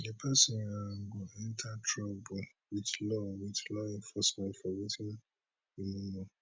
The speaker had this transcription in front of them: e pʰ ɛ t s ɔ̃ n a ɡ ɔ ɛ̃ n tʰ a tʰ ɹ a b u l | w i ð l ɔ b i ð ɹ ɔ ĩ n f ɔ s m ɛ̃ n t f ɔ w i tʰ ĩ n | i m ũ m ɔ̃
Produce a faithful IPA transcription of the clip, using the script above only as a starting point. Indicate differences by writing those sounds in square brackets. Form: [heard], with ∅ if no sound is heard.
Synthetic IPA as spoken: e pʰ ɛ [∅] s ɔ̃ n a ɡ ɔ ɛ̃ n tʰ a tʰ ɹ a b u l | w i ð l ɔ [w] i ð [l] ɔ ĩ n f ɔ s m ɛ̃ n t f ɔ w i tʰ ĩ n | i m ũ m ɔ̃